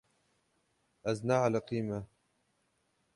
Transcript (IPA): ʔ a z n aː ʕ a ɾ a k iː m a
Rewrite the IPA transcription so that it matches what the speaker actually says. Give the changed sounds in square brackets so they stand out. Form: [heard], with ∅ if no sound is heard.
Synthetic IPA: ʔ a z n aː ʕ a [l] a [q] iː m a